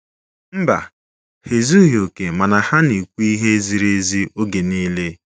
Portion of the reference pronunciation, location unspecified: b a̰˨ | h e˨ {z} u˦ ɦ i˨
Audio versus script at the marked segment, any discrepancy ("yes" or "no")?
no